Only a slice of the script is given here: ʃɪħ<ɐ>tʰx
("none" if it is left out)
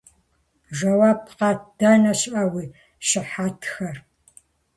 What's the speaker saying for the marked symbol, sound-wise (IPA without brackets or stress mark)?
a